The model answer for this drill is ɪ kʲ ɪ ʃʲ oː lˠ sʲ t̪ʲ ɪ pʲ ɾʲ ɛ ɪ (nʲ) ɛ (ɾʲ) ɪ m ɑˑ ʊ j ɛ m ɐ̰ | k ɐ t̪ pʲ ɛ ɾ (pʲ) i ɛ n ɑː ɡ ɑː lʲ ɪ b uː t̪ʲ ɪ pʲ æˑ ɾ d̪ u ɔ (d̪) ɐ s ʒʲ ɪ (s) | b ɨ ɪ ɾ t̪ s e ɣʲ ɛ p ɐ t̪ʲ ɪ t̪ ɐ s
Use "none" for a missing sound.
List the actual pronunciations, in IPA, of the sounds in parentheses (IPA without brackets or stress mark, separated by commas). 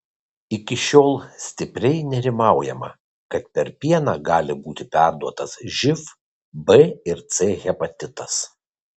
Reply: nʲ, ɾʲ, pʲ, t̪, f